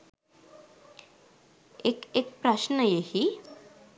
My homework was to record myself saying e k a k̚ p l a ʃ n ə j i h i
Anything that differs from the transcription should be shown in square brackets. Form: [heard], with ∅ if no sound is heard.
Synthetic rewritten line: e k [e] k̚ p [ɾ] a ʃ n ə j [e] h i